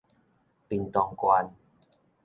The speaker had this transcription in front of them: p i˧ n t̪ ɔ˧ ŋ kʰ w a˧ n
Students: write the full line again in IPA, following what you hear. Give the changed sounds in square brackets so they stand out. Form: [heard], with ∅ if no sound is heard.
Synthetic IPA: p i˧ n t̪ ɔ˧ ŋ [k] w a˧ n